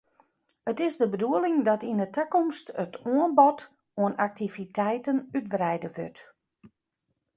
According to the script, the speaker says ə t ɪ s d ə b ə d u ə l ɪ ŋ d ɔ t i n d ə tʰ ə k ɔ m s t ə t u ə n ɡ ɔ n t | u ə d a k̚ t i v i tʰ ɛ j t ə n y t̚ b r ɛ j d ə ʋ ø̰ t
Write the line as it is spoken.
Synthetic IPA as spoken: ə t ɪ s d ə b ə d u ə l ɪ ŋ d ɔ t i n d ə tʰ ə k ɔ m s t ə t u ə n b ɔ t | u ə n a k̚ t i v i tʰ ɛ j t ə n y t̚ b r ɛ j d ə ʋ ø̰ t